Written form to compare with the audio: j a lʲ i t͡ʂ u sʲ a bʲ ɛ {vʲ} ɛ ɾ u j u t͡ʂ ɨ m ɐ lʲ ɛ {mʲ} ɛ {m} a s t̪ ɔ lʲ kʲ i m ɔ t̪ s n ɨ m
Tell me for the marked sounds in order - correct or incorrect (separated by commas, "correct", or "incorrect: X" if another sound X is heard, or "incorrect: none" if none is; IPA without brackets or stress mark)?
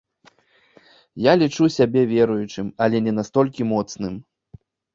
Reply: correct, incorrect: nʲ, incorrect: n